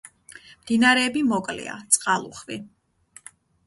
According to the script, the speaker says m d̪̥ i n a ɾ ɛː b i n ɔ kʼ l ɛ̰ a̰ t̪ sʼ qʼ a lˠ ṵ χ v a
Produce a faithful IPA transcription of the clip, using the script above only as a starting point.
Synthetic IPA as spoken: m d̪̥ i n a ɾ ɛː b i m ɔ kʼ l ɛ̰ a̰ t̪ sʼ qʼ a lˠ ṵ χ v i